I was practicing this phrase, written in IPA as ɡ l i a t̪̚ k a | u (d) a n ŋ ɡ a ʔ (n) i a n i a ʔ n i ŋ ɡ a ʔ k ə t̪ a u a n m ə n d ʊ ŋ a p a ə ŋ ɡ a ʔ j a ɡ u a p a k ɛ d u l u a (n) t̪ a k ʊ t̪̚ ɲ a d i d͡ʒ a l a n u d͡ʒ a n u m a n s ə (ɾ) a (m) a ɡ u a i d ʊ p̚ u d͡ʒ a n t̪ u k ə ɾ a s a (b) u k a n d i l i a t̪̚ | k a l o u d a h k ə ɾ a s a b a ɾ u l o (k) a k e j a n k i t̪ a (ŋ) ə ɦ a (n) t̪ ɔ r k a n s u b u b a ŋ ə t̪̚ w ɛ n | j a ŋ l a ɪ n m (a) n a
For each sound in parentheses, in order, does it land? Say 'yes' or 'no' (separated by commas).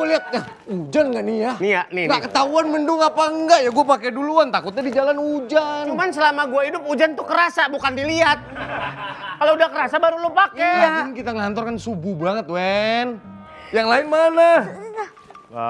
no, yes, yes, no, yes, yes, no, yes, yes, yes